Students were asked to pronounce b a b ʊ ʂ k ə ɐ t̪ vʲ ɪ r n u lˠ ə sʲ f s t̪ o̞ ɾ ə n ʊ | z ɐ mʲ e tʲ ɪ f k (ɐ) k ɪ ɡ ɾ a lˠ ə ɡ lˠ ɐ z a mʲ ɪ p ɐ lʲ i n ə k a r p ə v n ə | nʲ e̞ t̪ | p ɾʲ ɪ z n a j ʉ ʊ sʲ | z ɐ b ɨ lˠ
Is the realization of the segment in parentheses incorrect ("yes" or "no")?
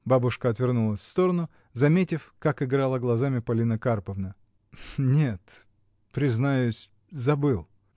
yes